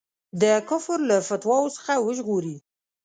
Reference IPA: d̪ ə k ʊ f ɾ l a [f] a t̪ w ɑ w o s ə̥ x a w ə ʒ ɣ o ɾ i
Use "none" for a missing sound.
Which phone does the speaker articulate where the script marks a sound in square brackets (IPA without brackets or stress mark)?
f